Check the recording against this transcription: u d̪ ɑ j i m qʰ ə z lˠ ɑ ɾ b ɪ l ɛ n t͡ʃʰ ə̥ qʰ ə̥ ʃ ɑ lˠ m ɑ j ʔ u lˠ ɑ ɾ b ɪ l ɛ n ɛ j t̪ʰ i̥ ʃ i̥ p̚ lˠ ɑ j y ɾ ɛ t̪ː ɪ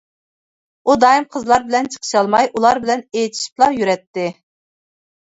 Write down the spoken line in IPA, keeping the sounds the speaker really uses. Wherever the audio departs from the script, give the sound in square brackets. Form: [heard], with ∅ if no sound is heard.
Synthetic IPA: u d̪ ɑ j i m qʰ ə z lˠ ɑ ɾ b ɪ l ɛ n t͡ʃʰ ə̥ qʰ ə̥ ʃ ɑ lˠ m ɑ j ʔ u lˠ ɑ ɾ b ɪ l ɛ n [e] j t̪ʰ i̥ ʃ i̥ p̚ lˠ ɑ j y ɾ ɛ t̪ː ɪ